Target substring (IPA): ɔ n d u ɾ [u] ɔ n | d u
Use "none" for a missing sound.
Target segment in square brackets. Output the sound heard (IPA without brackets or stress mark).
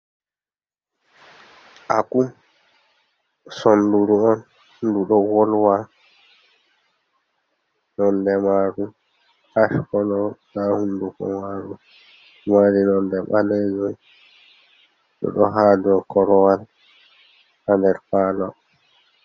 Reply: u